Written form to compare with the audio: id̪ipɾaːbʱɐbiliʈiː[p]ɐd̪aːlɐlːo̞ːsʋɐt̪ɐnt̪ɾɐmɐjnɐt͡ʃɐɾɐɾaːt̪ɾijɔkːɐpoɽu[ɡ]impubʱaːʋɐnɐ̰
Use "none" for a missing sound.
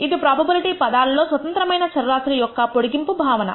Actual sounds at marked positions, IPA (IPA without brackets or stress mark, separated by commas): p, ɡ